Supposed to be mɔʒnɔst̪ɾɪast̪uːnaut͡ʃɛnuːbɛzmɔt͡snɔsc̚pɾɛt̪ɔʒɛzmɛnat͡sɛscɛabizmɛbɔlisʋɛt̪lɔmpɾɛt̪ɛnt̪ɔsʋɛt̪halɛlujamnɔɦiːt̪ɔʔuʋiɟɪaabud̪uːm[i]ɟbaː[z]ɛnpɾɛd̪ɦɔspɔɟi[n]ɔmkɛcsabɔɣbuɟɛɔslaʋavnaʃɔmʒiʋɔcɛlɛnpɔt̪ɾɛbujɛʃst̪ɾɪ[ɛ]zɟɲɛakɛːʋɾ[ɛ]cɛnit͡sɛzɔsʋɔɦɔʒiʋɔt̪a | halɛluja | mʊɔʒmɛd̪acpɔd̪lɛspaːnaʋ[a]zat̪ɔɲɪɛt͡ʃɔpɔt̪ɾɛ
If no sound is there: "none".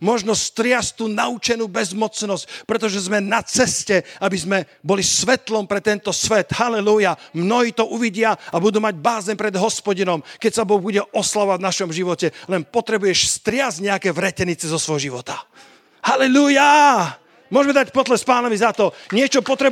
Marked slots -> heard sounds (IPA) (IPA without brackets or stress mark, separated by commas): a, z, n, a, ɛ, i